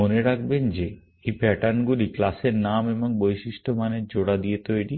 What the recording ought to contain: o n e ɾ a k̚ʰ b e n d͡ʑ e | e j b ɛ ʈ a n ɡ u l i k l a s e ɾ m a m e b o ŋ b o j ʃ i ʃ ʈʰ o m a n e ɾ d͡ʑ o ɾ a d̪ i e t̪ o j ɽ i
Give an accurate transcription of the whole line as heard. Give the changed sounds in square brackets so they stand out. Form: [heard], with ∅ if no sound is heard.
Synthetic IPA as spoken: o n e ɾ a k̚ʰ b e n d͡ʑ e | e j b ɛ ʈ a n ɡ u l i k l a s e ɾ [n] a m e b o ŋ b o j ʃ i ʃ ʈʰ o m a n e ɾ d͡ʑ o [ɽ] a d̪ i e t̪ o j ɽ i